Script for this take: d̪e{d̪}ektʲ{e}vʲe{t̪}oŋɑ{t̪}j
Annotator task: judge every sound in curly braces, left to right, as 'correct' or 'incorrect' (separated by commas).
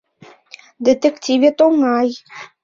incorrect, incorrect, correct, incorrect